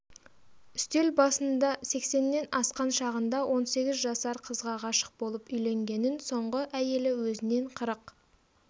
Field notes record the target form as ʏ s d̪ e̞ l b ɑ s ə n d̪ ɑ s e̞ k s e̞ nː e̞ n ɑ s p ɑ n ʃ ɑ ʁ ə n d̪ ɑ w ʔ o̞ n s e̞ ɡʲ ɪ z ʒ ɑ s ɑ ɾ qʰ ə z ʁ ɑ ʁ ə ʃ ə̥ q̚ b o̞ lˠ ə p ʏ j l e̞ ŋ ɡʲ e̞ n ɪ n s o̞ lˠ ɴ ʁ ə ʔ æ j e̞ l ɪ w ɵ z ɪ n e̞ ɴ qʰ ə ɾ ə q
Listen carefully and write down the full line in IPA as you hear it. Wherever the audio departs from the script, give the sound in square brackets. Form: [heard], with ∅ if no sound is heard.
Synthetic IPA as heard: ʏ s [t̪] e̞ l b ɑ s ə n d̪ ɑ s e̞ k s e̞ nː e̞ n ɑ s [q] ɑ n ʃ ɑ ʁ ə n d̪ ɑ w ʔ o̞ n s e̞ ɡʲ ɪ z ʒ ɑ s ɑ ɾ qʰ ə z ʁ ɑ ʁ [ɑ] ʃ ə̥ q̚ b o̞ lˠ ə p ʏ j l e̞ ŋ ɡʲ e̞ n ɪ n s o̞ [∅] ɴ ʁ ə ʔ æ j e̞ l ɪ w ɵ z ɪ n e̞ ɴ qʰ ə ɾ ə q